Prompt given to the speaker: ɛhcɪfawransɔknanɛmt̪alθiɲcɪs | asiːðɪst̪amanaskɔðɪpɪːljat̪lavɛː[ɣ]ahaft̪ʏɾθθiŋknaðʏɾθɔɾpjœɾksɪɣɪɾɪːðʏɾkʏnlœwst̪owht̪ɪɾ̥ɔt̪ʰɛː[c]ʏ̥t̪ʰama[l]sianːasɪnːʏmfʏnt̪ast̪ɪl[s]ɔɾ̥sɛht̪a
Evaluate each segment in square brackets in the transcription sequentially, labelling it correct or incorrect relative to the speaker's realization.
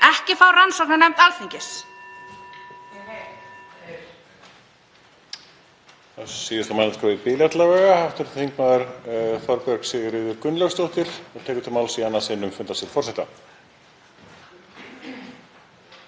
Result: correct, incorrect, correct, incorrect

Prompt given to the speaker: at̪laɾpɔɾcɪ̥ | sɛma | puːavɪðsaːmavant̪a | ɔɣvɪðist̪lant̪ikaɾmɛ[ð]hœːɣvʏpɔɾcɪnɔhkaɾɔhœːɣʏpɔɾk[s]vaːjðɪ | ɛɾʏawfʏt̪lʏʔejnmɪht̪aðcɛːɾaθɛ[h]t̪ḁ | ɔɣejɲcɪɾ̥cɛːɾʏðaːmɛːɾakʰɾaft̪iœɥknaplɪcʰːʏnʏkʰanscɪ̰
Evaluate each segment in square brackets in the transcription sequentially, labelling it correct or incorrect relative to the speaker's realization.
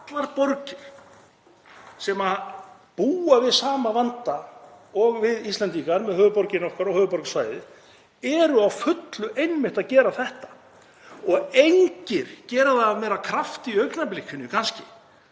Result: correct, correct, correct

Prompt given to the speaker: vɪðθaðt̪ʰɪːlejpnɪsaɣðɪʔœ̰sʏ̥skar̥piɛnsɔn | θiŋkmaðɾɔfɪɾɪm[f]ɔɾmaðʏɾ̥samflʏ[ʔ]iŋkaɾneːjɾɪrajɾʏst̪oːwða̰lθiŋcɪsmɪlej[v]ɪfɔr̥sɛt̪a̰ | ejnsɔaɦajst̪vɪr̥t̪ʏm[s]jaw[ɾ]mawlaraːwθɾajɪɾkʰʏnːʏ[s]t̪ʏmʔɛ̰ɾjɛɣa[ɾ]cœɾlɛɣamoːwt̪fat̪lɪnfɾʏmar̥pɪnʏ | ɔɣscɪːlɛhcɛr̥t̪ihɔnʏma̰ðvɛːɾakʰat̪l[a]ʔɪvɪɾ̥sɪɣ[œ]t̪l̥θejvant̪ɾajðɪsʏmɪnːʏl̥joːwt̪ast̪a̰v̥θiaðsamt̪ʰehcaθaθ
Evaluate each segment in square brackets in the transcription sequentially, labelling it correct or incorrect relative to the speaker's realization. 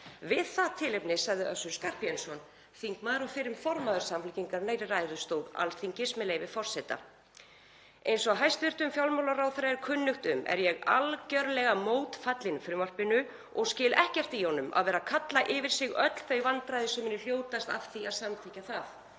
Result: correct, incorrect, correct, incorrect, incorrect, incorrect, incorrect, correct, correct

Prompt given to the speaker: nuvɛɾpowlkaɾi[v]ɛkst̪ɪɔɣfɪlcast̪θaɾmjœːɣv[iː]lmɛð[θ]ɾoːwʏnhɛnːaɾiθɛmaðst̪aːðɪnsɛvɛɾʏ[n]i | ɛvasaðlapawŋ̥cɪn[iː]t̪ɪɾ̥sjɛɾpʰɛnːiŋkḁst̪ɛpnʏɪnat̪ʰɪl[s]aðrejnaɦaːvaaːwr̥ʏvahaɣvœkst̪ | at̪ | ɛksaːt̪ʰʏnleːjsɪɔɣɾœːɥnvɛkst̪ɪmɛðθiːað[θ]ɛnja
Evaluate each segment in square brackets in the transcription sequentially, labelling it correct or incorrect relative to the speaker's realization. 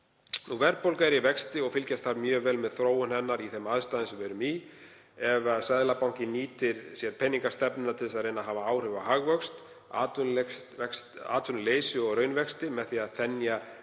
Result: correct, incorrect, correct, incorrect, correct, correct, correct

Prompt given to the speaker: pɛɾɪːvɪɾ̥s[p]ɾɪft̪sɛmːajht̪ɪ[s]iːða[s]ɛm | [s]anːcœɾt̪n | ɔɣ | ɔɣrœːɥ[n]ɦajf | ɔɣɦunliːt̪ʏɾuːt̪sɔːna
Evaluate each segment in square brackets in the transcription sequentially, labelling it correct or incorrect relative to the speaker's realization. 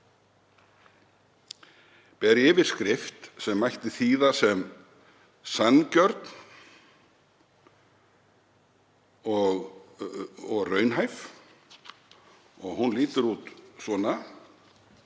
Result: incorrect, incorrect, correct, correct, correct

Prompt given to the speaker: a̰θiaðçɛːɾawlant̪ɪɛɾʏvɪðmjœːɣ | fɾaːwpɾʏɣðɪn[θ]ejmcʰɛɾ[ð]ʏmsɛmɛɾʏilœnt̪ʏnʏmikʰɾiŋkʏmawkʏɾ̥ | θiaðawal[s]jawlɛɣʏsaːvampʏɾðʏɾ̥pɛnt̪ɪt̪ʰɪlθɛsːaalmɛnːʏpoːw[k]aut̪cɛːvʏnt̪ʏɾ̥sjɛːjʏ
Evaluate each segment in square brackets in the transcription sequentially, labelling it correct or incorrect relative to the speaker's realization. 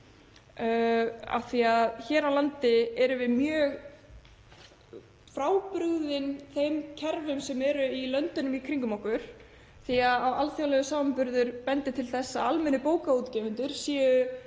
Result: correct, incorrect, incorrect, correct

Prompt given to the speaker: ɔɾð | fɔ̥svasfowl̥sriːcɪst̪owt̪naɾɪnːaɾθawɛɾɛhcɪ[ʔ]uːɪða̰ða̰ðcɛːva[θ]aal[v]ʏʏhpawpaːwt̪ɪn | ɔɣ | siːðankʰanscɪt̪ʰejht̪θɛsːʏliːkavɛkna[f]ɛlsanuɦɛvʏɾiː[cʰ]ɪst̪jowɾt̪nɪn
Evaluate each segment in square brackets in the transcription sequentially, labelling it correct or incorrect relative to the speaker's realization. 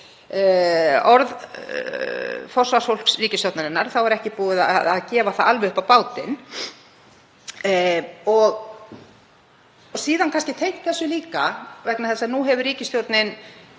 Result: incorrect, correct, correct, incorrect, incorrect

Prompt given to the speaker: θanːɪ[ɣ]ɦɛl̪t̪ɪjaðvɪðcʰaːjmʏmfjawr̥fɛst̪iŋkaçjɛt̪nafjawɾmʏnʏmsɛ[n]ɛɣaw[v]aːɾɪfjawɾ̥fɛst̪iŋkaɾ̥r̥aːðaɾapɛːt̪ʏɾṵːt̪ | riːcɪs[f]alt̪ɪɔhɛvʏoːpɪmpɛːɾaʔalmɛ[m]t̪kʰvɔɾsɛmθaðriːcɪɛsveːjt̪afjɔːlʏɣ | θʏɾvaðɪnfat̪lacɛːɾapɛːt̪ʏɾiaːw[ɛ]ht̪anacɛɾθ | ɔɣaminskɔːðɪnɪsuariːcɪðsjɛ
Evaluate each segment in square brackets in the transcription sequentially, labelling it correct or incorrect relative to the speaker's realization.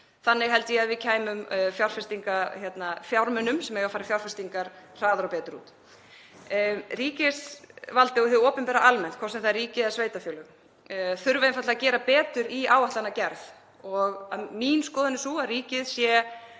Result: correct, incorrect, incorrect, incorrect, incorrect, incorrect

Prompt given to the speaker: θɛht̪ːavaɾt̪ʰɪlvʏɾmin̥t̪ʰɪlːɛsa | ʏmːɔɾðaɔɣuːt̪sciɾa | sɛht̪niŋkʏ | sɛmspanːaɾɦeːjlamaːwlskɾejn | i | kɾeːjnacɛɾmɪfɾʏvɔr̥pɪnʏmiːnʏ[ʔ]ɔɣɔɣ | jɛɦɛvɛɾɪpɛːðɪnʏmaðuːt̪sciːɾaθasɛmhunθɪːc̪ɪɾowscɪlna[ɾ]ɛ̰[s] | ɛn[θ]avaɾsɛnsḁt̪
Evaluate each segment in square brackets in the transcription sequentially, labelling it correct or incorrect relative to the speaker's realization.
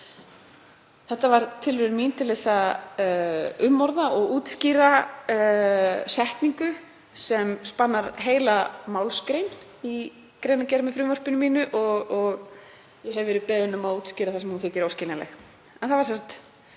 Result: correct, incorrect, incorrect, correct

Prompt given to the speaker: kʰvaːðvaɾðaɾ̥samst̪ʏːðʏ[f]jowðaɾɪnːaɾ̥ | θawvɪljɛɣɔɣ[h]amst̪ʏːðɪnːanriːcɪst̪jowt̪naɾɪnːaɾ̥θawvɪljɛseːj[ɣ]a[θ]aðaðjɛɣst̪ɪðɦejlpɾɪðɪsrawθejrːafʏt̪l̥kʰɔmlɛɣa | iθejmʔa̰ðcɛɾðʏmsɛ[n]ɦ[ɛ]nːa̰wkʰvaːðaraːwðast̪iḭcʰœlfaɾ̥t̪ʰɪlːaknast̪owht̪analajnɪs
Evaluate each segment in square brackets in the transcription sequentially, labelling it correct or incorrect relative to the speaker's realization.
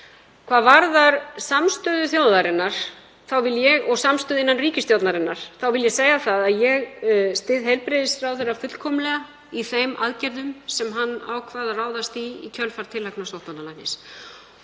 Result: incorrect, incorrect, correct, correct, incorrect, incorrect

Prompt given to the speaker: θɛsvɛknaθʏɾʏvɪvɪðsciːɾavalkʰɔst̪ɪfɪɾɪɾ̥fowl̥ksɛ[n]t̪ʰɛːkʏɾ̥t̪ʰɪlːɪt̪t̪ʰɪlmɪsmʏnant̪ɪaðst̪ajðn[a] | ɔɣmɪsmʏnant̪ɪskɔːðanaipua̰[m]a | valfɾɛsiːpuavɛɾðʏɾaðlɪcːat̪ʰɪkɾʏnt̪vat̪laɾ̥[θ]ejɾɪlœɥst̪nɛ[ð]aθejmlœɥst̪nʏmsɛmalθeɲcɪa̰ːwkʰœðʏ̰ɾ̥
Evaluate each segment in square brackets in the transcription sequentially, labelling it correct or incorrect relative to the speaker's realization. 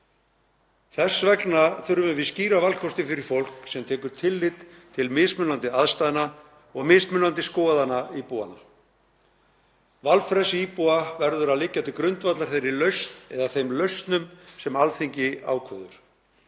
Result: incorrect, correct, incorrect, correct, correct

